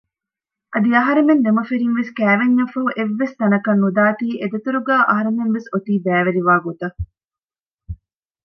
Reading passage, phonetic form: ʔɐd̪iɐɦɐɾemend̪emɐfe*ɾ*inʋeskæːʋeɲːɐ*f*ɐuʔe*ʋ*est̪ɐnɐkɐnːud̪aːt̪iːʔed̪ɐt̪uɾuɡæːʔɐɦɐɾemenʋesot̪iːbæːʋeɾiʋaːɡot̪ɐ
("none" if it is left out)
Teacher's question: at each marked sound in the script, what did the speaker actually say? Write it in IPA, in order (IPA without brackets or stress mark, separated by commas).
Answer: ɾ, f, ʋː